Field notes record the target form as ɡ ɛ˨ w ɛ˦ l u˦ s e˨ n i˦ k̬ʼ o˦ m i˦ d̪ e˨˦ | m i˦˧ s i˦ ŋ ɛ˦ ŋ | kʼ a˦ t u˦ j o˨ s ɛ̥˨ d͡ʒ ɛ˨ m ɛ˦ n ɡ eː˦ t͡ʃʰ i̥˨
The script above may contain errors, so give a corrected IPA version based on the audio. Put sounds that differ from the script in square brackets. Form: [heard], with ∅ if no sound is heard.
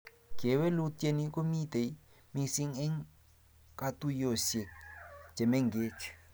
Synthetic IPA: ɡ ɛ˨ w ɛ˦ l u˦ [t] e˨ n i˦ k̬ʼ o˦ m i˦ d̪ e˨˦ | m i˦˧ s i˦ ŋ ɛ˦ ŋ | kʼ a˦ t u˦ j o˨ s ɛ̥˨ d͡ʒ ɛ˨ m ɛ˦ [ŋ] ɡ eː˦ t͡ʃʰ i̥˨